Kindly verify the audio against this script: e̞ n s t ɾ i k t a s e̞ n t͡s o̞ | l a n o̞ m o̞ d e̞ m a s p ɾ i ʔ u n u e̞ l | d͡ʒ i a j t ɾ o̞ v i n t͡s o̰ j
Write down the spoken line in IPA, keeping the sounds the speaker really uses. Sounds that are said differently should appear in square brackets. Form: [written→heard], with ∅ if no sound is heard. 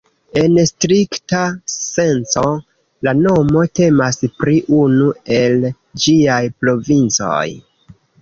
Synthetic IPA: e̞ n s t ɾ i k t a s e̞ n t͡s o̞ | l a n o̞ m o̞ [d→t] e̞ m a s p ɾ i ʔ u n u e̞ l | d͡ʒ i a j [t→p] ɾ o̞ v i n t͡s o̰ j